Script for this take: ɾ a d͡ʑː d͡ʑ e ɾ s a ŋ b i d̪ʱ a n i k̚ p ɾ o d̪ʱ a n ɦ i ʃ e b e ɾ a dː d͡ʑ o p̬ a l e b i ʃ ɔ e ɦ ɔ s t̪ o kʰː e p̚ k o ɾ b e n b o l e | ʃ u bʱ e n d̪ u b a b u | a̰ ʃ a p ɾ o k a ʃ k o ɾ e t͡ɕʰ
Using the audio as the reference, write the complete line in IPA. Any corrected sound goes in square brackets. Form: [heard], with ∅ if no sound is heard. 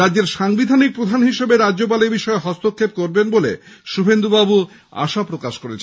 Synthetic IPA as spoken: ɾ a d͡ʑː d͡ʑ e ɾ [ʃ] a ŋ b i d̪ʱ a n i k̚ p ɾ o d̪ʱ a n ɦ i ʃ e b e ɾ a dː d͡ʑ o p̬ a l e b i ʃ ɔ e ɦ ɔ s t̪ o kʰː e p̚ k o ɾ b e n b o l e | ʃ u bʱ e n d̪ u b a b u | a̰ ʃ a p ɾ o k a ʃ k o ɾ e t͡ɕʰ